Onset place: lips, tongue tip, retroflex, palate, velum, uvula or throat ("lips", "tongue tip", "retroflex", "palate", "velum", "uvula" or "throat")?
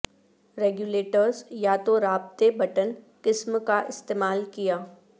tongue tip